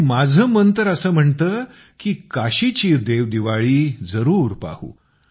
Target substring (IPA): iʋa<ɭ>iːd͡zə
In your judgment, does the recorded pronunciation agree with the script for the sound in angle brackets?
yes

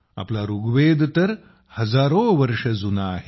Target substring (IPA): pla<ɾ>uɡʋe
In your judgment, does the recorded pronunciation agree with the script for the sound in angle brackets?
yes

